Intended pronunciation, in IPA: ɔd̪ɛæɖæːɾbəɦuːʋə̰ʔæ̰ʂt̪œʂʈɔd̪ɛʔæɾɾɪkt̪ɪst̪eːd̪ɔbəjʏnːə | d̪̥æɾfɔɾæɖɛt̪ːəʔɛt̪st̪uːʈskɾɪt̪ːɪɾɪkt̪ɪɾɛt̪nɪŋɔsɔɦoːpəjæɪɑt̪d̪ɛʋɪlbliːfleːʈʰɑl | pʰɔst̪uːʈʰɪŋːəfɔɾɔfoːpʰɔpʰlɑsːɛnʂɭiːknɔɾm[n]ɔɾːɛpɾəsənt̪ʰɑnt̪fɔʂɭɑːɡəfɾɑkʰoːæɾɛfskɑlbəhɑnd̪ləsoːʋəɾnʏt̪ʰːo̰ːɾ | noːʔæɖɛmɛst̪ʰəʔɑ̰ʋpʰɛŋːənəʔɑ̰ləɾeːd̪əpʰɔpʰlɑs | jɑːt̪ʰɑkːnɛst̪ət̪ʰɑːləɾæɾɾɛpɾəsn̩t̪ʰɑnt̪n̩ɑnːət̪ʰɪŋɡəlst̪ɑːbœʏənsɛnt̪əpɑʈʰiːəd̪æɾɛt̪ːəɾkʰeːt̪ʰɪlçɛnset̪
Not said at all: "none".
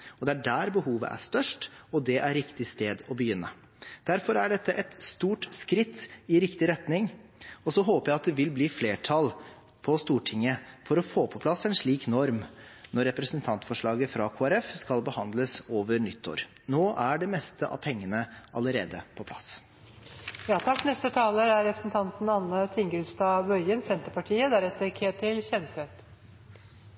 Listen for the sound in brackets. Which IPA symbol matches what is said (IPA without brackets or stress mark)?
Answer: n